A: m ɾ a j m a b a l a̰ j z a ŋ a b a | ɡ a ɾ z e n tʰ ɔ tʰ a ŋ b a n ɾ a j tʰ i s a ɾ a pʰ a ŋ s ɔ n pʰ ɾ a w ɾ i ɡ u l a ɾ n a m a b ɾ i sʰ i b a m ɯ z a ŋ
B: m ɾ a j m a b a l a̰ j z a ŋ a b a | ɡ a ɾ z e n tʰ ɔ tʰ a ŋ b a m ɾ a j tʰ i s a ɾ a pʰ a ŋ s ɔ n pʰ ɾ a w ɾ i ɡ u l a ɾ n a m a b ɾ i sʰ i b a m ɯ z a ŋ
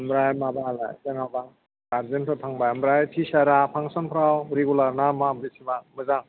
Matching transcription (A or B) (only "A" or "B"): B